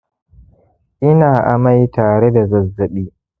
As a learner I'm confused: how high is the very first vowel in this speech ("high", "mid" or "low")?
high